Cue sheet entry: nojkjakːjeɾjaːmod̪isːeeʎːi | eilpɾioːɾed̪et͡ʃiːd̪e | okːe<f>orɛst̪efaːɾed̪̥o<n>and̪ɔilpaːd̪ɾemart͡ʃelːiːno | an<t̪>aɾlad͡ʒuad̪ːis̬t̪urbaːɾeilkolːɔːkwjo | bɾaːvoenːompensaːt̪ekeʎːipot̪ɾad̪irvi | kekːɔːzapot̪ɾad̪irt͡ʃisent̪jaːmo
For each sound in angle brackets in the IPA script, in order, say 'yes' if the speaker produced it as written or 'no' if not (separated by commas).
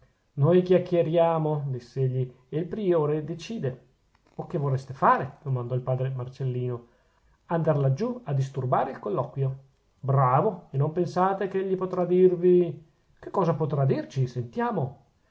no, no, no